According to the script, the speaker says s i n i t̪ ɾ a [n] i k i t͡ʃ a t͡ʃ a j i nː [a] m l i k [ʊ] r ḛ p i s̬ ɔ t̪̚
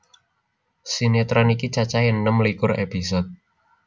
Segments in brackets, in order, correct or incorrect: correct, incorrect, correct

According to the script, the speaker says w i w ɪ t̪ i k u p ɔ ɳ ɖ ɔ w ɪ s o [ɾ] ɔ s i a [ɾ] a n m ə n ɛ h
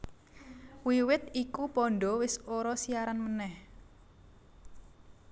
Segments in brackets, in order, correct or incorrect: correct, correct

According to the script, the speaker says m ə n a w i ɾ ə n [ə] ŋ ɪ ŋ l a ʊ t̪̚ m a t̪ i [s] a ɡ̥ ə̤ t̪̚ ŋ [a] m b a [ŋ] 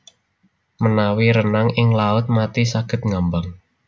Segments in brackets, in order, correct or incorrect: incorrect, correct, correct, correct

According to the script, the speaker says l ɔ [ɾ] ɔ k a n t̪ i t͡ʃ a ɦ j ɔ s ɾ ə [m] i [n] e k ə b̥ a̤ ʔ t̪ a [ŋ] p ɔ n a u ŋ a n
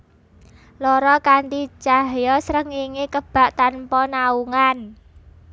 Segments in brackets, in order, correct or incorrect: correct, incorrect, incorrect, incorrect

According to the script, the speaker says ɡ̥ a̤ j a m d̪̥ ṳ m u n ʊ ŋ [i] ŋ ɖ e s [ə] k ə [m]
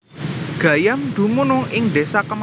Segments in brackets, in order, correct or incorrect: incorrect, incorrect, correct

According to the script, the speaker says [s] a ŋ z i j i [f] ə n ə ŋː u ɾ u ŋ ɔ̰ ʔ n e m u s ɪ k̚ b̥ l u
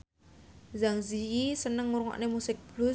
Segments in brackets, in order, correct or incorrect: incorrect, incorrect

